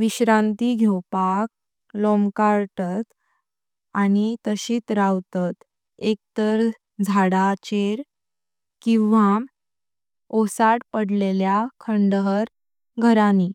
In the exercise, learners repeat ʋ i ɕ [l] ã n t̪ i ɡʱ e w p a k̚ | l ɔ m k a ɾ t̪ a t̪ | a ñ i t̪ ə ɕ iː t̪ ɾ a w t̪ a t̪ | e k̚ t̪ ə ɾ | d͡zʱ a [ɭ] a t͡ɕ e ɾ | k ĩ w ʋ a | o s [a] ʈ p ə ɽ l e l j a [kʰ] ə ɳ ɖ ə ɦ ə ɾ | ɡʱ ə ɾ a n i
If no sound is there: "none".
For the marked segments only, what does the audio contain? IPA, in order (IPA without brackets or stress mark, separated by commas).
ɾ, ɽ, a, kʰ